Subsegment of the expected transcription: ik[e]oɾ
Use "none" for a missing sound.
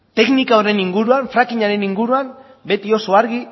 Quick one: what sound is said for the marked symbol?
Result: a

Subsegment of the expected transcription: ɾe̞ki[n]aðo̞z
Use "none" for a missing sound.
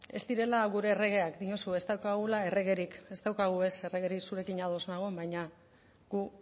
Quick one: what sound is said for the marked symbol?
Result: ɲ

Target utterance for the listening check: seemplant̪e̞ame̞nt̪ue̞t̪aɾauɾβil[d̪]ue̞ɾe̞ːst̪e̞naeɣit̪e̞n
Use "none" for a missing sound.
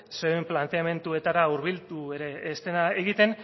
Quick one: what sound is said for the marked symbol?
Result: t̪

